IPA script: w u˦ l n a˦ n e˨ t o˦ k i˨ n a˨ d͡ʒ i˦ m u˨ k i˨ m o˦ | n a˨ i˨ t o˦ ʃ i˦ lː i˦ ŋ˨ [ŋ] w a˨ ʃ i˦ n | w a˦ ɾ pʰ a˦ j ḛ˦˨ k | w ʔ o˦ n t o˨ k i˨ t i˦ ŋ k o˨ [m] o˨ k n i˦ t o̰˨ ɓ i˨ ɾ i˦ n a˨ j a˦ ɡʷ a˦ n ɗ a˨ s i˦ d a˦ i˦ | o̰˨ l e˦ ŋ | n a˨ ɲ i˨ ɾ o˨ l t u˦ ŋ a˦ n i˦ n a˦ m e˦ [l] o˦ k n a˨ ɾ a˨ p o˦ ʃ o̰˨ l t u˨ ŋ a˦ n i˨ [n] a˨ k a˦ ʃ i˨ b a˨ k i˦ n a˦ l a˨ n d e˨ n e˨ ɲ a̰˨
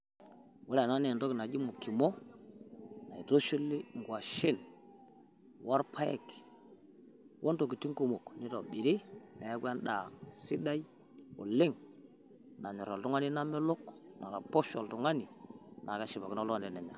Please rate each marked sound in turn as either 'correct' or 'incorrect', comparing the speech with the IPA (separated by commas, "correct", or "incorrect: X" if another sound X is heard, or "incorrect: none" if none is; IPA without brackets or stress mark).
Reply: incorrect: ɡ, correct, correct, correct